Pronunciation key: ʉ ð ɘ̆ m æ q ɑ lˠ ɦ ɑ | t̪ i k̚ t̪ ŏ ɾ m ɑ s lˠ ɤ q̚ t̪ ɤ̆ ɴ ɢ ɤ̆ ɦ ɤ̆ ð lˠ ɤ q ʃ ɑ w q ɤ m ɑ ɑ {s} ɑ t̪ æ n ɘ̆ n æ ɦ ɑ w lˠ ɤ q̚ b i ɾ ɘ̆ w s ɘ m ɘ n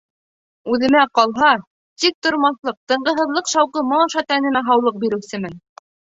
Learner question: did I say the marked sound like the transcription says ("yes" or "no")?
no